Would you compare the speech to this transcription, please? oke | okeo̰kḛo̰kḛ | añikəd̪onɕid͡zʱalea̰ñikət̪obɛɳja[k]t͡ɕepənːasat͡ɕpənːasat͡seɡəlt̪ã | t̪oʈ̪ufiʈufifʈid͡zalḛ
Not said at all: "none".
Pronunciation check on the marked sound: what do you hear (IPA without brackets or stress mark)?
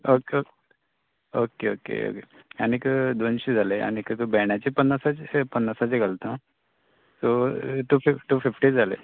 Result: none